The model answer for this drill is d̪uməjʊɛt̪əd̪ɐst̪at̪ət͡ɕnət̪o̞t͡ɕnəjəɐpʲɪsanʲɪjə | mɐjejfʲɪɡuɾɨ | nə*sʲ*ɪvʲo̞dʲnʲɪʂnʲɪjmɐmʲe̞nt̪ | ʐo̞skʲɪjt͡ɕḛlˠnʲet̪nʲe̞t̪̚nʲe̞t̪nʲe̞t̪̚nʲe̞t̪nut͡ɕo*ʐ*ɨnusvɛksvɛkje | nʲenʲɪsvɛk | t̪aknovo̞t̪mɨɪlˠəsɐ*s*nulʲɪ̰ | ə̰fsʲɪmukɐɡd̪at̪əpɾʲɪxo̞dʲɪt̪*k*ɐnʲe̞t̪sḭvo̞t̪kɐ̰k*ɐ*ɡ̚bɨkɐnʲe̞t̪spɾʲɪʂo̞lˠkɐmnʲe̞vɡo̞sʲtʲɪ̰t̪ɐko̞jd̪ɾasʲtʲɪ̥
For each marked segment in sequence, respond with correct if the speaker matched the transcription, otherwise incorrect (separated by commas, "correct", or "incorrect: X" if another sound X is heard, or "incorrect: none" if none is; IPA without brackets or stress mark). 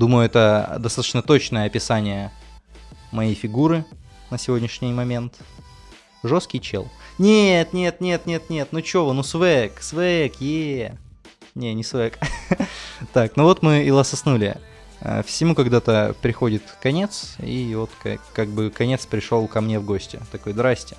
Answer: correct, incorrect: v, correct, correct, incorrect: a